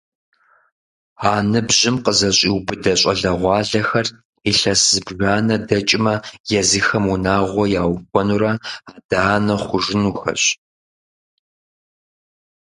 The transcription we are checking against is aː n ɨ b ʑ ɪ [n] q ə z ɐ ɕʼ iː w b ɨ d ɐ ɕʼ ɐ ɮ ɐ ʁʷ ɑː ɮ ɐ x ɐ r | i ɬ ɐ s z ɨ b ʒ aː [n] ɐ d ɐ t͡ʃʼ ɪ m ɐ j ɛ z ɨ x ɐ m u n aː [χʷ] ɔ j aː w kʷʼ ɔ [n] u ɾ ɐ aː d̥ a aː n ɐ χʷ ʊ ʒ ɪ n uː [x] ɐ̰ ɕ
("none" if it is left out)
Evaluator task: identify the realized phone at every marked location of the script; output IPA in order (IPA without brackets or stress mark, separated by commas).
m, n, ʁʷ, n, x